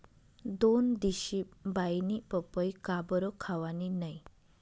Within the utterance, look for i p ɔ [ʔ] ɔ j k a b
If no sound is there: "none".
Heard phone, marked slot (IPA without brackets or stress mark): p